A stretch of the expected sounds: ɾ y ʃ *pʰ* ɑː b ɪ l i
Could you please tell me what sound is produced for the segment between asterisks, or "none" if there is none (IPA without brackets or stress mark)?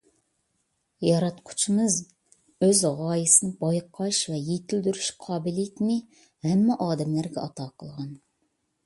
qʰ